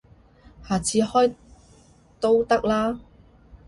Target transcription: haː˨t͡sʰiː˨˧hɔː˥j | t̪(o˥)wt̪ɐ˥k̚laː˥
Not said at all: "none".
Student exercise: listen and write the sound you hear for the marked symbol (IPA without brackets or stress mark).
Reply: o˥